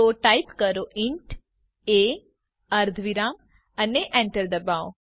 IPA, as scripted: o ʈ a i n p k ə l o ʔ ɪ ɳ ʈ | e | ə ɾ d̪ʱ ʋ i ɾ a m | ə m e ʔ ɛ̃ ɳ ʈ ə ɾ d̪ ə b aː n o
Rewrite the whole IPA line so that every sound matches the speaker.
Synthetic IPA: o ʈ a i p k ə ɾ o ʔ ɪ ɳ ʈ | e | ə ɾ d̪ʱ ʋ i ɾ a m | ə n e ʔ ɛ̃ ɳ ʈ ə ɾ d̪ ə b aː o